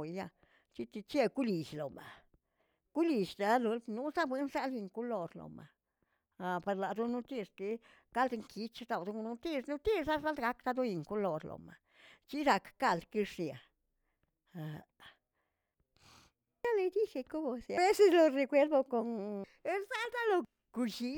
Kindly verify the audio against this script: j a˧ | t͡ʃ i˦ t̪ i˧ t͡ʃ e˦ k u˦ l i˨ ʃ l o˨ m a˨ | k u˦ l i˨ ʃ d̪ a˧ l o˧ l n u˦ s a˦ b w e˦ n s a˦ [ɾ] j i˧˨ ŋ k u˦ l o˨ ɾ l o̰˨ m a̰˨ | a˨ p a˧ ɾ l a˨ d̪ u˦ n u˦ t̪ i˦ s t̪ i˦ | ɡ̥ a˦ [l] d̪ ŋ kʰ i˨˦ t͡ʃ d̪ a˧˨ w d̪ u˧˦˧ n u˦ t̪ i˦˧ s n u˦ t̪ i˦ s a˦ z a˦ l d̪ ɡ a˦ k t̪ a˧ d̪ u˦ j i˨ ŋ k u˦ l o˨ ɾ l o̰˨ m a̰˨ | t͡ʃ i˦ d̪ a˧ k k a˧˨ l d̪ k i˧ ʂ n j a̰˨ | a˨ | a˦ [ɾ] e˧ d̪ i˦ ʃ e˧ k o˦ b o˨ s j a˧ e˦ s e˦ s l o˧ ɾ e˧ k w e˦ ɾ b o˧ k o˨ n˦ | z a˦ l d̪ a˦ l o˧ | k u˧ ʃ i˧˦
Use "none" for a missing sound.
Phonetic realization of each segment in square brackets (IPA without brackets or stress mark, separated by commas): l, l, l